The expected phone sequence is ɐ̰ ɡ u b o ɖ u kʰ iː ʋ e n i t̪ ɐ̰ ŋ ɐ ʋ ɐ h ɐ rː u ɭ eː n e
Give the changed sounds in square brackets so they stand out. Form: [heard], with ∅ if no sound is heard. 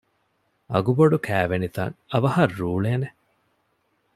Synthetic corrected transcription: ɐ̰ ɡ u b o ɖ u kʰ [æː] ʋ e n i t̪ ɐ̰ ŋ ɐ ʋ ɐ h ɐ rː [uː] ɭ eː n e